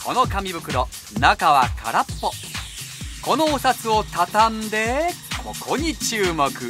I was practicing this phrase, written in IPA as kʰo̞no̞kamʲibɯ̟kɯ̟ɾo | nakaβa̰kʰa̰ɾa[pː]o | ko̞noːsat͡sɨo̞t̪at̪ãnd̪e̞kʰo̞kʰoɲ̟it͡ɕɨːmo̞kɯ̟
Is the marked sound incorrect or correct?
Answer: correct